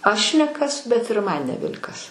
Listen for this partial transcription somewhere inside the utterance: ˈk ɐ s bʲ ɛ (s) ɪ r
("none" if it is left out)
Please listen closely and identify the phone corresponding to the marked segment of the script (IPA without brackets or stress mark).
t